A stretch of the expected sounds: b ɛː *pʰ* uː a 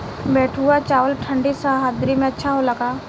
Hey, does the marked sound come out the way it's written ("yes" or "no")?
no